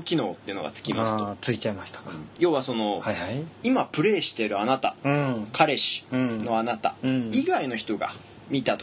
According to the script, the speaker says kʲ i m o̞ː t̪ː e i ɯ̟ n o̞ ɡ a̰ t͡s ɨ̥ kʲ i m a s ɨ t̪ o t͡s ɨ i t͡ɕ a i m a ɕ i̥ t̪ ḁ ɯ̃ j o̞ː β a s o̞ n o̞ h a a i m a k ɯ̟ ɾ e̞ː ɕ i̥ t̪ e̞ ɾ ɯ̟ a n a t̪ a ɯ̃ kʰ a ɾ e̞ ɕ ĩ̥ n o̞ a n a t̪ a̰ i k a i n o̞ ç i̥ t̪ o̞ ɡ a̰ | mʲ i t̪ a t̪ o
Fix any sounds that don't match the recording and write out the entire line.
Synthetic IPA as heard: kʲ i n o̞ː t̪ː e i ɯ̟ n o̞ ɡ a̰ t͡s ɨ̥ kʲ i m a s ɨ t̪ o t͡s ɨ i t͡ɕ a i m a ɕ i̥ t̪ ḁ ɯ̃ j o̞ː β a s o̞ n o̞ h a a i m a p ɯ̟ ɾ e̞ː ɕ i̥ t̪ e̞ ɾ ɯ̟ a n a t̪ a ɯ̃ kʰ a ɾ e̞ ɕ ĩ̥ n o̞ a n a t̪ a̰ i ɡ a i n o̞ ç i̥ t̪ o̞ ɡ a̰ | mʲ i t̪ a t̪ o